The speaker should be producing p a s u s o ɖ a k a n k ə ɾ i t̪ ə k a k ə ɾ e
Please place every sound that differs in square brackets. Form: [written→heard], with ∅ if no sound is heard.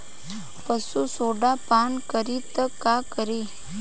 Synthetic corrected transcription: p [a→ə] s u s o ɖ a [k→p] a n k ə ɾ i t̪ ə k a k ə ɾ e